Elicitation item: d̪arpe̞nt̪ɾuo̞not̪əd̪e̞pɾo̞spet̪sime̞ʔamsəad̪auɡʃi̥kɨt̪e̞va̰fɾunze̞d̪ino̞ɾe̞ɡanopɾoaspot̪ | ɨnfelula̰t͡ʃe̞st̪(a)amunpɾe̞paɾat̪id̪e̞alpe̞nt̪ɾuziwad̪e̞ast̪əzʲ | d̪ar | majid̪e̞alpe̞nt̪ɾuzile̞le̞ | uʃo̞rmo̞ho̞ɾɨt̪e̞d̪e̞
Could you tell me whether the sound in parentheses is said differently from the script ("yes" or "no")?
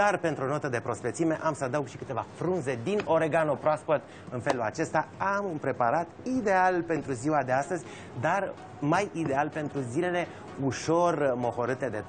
no